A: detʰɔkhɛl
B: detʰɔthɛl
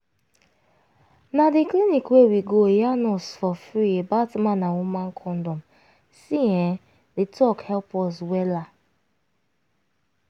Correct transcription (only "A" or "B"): A